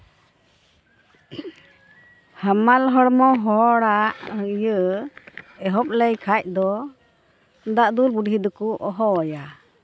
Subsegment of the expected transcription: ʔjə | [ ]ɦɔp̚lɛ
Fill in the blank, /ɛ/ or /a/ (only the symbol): ɛ